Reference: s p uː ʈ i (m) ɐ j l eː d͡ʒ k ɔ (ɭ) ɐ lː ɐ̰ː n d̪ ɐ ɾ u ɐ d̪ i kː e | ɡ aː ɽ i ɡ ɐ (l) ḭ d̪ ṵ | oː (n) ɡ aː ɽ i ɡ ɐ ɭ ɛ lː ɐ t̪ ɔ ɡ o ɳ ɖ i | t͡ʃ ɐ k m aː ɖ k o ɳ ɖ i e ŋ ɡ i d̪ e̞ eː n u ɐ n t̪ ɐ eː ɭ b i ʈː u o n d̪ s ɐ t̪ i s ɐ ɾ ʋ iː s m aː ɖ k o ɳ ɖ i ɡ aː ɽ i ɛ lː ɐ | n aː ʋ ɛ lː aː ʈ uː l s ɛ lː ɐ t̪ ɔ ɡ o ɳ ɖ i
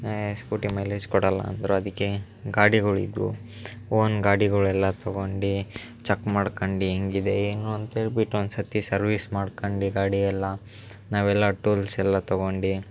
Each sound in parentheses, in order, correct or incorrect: correct, incorrect, incorrect, correct

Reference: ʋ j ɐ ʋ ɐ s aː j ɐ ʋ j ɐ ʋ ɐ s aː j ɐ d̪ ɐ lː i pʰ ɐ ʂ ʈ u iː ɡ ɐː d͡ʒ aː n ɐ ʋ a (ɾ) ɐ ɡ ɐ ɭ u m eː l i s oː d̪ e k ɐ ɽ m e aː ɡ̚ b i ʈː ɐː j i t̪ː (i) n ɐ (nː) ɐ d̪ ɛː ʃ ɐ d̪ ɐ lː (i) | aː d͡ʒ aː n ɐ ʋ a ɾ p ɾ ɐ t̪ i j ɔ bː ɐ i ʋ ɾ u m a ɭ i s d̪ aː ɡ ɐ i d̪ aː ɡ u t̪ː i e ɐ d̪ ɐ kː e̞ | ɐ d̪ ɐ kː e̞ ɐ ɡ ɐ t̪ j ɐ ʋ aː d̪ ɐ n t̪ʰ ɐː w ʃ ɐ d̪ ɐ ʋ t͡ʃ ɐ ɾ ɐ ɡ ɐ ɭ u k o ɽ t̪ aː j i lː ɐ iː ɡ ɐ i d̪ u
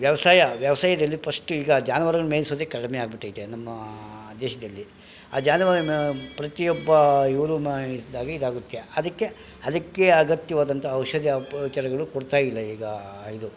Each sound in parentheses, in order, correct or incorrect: correct, incorrect, incorrect, correct

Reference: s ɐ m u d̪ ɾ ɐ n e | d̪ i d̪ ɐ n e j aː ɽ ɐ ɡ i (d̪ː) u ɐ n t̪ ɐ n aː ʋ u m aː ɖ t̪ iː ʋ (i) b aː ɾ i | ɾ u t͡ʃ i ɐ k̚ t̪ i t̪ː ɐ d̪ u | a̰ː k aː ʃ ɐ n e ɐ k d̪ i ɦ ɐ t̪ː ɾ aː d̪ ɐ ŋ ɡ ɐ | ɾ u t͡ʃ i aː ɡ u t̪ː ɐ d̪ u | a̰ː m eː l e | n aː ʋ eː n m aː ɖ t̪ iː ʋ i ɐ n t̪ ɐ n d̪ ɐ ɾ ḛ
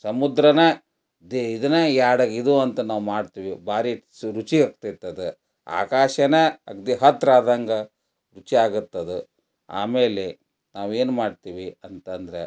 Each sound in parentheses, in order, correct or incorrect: incorrect, correct

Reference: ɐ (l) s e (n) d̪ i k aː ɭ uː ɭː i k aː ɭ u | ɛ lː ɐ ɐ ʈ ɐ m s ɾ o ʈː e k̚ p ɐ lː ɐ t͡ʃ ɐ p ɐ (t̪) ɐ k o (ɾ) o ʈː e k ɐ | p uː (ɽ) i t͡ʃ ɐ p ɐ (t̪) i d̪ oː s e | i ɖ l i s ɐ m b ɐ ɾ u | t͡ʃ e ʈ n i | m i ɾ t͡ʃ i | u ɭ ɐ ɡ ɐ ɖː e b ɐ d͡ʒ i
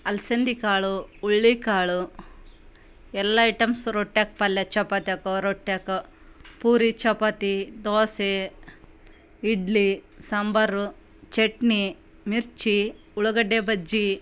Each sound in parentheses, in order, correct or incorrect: correct, correct, correct, correct, incorrect, correct

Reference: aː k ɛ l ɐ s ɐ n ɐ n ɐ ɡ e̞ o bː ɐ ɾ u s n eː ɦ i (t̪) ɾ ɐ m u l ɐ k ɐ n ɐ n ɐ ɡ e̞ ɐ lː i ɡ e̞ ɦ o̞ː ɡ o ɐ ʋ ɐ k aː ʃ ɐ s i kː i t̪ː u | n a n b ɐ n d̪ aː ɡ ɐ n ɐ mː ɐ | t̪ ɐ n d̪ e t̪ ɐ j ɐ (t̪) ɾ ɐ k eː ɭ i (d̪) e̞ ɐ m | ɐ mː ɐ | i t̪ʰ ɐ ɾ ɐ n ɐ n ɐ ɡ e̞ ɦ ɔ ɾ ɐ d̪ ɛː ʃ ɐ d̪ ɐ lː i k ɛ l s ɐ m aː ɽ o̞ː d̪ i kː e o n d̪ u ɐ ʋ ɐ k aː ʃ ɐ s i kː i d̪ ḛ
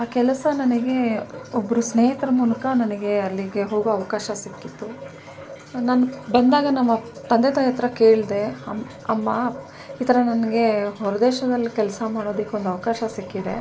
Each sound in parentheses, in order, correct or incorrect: correct, correct, correct

